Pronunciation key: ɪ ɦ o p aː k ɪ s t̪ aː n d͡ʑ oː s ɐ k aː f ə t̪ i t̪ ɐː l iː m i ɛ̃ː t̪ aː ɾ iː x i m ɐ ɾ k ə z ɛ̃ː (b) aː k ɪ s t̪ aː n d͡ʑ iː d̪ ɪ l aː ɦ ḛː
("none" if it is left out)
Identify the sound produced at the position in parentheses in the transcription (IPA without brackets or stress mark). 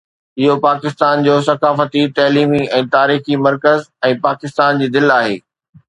p